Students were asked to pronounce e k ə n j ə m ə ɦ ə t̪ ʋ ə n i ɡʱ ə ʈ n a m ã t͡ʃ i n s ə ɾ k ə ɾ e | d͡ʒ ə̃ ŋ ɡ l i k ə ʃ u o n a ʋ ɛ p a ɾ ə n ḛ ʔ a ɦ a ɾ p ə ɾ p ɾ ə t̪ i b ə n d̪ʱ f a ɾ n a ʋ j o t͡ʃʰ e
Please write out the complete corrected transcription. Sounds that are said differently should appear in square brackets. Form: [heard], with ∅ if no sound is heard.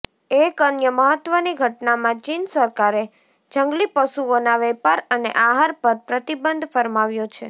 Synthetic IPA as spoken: e k ə n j ə m ə ɦ ə t̪ ʋ ə n i ɡʱ ə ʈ n a m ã t͡ʃ i n s ə ɾ k [a] ɾ e | d͡ʒ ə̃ ŋ ɡ l i [p] ə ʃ u o n a ʋ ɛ p a ɾ ə n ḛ ʔ a ɦ a ɾ p ə ɾ p ɾ ə t̪ i b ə n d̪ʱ f [ə] ɾ [m] a ʋ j o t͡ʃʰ e